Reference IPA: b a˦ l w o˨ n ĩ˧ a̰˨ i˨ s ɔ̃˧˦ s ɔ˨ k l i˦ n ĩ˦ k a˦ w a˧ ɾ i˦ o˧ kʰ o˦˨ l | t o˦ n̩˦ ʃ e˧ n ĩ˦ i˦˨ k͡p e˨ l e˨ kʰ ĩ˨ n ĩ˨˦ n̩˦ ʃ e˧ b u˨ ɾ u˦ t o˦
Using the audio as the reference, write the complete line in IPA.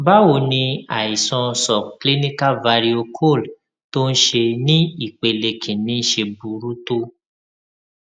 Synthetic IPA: b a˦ w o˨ n ĩ˧ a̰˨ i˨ s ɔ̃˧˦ s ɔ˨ k l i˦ n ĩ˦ k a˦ v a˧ ɾ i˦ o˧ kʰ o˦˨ l | t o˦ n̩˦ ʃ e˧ n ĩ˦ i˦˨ k͡p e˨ l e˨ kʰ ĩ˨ n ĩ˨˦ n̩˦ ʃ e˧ b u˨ ɾ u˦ t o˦